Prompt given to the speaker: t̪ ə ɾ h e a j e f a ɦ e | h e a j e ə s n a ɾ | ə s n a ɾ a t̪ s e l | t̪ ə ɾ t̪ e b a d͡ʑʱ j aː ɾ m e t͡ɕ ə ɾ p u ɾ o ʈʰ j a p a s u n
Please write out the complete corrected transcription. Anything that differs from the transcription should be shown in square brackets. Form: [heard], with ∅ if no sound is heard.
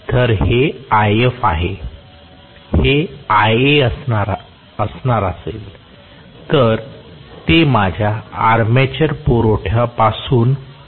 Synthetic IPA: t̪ ə ɾ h e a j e f a ɦ e | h e a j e ə s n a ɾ | ə s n a ɾ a [∅] s e l | t̪ ə ɾ t̪ e [m] a d͡ʑʱ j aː ɾ m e t͡ɕ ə ɾ p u ɾ o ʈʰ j a p a s [uː] n